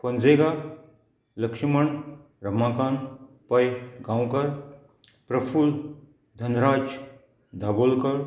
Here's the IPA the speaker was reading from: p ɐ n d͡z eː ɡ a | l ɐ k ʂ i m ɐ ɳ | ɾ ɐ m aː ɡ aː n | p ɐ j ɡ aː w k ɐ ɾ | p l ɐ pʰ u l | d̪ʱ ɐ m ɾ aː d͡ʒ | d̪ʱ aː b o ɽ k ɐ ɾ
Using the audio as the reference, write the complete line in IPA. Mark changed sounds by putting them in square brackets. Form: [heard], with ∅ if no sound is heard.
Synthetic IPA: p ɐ n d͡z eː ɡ a | l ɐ k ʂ i m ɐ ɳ | ɾ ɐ m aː [k] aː n | p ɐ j ɡ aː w k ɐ ɾ | p [ɾ] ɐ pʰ u l | d̪ʱ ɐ [n] ɾ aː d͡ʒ | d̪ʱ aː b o [l] k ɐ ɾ